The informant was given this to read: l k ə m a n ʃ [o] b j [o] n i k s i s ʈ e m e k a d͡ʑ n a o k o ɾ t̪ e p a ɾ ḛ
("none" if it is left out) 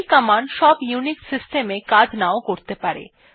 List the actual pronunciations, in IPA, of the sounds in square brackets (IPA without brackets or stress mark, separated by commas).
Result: ɔ, u